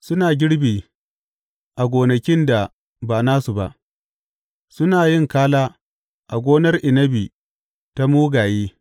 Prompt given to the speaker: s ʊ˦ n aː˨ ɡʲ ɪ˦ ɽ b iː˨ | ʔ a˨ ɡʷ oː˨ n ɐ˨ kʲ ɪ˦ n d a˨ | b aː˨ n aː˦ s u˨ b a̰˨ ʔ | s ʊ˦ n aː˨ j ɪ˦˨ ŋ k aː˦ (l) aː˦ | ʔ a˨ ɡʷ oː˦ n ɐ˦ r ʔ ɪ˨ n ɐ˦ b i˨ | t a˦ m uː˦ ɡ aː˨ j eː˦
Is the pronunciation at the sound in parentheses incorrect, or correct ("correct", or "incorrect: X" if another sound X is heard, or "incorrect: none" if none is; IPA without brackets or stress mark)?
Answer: correct